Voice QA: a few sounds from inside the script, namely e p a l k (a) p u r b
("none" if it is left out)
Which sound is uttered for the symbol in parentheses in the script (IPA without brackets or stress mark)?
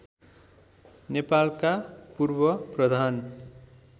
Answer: a